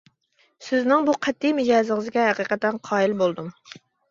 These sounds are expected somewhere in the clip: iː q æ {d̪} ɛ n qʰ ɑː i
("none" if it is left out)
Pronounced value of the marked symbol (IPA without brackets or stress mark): t̪